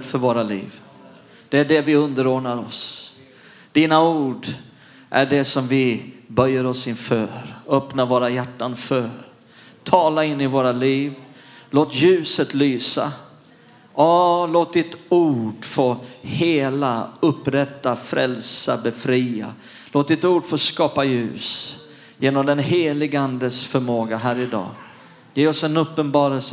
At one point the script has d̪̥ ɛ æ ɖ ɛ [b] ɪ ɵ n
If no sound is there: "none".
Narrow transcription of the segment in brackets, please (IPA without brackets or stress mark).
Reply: v